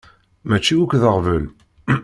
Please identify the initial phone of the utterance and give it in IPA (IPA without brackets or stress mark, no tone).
m